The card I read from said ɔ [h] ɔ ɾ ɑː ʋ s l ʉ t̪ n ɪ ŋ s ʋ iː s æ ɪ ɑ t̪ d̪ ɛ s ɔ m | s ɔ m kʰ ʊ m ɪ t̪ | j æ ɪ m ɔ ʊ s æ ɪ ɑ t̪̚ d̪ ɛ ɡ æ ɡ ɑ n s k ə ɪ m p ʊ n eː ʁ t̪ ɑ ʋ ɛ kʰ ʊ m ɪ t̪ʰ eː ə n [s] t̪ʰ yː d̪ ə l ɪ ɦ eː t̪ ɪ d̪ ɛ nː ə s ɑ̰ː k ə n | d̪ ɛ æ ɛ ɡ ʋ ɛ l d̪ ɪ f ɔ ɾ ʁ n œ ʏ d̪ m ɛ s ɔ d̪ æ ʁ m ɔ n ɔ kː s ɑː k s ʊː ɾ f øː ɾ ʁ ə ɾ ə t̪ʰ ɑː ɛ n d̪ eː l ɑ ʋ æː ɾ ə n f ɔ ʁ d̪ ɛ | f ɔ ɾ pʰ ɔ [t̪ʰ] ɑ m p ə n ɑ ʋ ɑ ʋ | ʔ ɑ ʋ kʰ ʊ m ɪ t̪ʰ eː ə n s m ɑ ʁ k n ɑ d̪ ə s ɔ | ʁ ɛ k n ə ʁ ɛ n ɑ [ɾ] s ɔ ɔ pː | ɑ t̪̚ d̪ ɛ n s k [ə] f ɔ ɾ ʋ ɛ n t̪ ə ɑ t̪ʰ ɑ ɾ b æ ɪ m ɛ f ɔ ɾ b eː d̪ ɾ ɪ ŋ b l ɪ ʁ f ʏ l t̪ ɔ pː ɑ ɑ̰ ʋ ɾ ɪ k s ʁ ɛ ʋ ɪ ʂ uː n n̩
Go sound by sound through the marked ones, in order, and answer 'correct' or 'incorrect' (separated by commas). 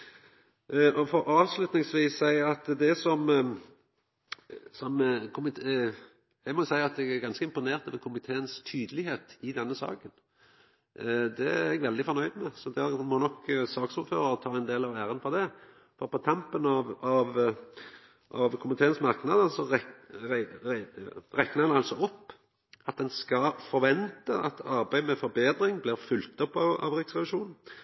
incorrect, correct, correct, incorrect, incorrect